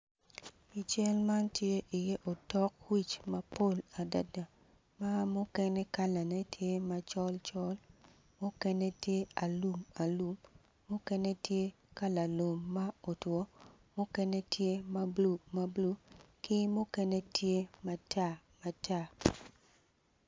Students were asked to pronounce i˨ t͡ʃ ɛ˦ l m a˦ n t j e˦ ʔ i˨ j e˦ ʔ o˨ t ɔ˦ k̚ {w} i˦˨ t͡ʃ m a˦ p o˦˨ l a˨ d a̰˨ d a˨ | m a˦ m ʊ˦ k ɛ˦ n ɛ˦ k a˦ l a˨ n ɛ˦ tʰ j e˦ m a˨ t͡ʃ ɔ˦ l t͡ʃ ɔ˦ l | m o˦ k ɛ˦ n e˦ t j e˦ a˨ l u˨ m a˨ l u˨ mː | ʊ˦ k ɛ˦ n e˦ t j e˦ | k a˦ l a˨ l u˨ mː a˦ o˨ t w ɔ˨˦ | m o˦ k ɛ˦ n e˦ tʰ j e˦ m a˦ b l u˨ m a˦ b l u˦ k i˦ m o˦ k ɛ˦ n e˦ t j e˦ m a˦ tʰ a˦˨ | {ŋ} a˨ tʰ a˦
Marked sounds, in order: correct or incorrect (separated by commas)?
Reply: correct, incorrect